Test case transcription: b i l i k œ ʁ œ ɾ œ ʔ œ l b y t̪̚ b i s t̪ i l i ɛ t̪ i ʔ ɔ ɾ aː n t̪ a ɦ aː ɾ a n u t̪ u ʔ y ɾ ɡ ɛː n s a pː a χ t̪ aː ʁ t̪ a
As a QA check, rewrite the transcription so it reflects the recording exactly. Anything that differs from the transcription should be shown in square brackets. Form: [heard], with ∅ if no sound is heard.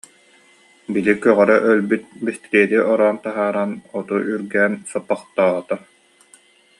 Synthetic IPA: b i l i k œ ʁ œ ɾ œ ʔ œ l b y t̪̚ b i s t̪ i [ɾ] i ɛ t̪ i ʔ ɔ ɾ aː n t̪ a ɦ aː ɾ a n [ɔ] t̪ u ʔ y ɾ ɡ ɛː n s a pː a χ t̪ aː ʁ t̪ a